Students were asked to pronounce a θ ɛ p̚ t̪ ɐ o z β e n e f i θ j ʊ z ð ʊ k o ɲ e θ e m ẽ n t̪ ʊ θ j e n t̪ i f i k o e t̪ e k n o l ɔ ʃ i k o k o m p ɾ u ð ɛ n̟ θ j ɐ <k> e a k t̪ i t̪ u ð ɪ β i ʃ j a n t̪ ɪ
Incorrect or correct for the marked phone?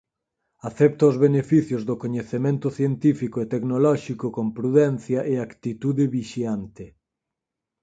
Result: incorrect: ʔ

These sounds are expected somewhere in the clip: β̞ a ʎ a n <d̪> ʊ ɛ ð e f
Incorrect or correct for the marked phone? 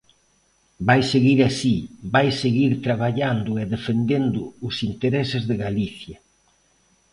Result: correct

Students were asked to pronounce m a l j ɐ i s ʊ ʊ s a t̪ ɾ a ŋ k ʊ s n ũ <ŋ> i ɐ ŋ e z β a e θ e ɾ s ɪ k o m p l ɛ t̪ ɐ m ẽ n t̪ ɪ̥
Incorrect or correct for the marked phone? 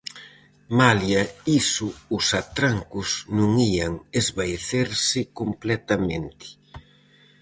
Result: correct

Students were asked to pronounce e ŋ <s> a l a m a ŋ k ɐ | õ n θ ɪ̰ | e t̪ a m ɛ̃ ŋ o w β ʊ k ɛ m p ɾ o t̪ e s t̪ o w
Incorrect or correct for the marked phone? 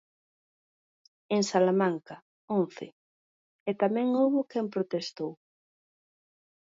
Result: correct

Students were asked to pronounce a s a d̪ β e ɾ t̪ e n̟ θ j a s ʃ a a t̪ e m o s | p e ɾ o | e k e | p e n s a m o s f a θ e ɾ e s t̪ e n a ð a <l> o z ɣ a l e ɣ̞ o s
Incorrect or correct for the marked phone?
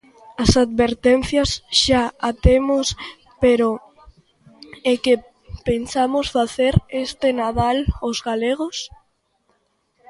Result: correct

